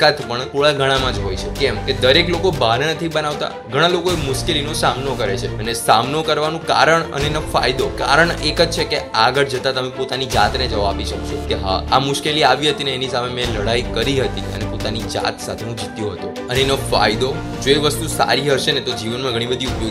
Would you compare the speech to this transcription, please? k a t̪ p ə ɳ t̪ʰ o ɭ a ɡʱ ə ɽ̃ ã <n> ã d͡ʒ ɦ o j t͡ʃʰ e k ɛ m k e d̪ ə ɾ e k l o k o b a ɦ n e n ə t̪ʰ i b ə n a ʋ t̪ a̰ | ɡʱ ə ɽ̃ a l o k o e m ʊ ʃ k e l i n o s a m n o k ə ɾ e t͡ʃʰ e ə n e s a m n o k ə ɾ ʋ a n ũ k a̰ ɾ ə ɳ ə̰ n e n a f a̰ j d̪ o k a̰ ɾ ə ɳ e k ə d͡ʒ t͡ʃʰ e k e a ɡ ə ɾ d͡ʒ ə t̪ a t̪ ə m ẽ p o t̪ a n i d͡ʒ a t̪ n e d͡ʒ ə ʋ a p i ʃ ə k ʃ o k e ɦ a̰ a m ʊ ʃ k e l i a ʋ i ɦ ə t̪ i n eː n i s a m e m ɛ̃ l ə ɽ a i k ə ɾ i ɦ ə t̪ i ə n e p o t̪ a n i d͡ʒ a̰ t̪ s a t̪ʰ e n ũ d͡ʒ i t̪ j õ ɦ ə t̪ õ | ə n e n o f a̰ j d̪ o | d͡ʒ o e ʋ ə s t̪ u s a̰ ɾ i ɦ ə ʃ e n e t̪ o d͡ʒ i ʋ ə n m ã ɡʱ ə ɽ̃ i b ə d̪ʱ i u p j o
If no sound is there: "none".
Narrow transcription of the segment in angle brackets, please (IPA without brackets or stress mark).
m